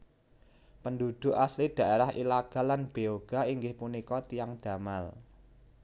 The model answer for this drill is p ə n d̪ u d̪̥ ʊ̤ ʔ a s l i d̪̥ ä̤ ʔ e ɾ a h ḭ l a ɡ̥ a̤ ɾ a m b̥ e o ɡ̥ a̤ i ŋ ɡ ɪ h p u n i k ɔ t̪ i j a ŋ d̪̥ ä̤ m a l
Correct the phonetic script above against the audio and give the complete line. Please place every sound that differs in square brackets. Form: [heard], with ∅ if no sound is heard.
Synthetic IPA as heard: p ə n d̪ u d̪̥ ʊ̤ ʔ a s l i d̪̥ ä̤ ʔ e ɾ a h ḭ l a ɡ̥ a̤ [l] a [n] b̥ e o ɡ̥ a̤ i ŋ ɡ ɪ h p u n i k ɔ t̪ i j a ŋ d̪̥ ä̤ m a l